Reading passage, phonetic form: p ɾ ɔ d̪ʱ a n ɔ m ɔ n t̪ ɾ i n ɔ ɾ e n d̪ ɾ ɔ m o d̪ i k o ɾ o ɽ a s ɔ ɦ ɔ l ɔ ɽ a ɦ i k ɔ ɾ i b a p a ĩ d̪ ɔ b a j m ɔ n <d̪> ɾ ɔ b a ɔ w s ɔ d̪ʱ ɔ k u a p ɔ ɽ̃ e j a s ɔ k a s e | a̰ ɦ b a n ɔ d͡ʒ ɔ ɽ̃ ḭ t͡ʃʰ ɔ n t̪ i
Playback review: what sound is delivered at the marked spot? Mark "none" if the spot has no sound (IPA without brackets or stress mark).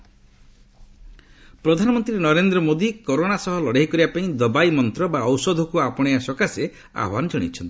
t̪